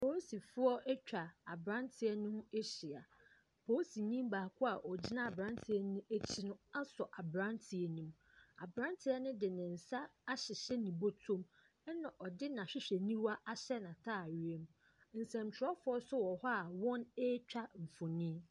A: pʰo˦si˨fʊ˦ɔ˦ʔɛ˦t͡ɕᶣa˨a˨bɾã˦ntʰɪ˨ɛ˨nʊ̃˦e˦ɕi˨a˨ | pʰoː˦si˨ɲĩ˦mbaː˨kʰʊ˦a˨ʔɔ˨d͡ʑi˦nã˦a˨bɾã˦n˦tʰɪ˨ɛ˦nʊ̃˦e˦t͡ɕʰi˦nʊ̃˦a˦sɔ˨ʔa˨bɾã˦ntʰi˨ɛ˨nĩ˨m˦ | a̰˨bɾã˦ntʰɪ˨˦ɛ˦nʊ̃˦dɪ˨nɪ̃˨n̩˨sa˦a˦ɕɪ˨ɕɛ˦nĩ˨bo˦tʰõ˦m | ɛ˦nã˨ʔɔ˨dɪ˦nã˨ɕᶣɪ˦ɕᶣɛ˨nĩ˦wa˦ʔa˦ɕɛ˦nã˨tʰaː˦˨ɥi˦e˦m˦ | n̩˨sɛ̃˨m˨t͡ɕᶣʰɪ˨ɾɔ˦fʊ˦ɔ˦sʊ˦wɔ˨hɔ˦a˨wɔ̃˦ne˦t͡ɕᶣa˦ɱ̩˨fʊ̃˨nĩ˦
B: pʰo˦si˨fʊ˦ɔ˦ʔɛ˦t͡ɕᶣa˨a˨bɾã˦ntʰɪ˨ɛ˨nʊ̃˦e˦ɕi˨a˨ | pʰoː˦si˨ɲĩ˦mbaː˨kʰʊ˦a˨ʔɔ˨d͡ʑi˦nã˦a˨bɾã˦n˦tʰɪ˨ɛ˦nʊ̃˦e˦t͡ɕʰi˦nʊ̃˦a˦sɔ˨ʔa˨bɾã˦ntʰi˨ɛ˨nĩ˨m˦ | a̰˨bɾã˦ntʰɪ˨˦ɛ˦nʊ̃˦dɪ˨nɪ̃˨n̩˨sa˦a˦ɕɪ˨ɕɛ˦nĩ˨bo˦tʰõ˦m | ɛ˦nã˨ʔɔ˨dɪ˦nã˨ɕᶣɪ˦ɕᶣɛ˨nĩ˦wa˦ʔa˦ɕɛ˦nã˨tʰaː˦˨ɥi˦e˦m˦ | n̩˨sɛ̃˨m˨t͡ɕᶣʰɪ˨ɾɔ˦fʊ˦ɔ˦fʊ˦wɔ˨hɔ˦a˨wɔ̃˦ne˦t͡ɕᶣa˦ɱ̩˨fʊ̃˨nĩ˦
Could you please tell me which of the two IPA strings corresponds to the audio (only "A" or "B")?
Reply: A